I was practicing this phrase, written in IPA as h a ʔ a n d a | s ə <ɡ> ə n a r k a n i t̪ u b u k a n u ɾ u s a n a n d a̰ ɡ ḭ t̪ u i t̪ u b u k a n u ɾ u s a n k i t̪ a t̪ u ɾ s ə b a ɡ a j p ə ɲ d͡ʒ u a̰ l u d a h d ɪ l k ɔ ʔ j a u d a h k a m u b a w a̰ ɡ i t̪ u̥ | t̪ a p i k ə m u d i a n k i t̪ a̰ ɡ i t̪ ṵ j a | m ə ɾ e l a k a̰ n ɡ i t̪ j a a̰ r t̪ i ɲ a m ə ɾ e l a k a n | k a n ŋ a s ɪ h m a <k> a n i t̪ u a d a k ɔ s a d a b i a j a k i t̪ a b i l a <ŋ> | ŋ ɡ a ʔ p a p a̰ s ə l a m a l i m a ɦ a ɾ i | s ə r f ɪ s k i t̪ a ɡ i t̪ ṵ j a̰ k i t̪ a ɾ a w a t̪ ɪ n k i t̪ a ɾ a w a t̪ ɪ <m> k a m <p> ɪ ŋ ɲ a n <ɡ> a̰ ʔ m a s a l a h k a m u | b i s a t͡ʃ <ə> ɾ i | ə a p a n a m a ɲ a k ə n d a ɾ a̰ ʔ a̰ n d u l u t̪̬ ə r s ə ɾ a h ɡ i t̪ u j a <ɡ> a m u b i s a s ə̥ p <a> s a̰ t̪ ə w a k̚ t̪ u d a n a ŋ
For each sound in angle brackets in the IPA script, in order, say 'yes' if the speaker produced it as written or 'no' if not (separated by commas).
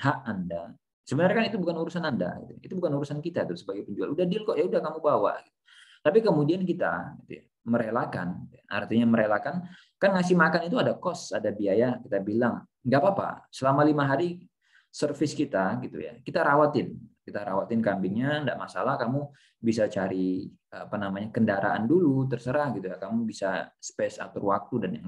no, yes, yes, no, no, no, no, no, no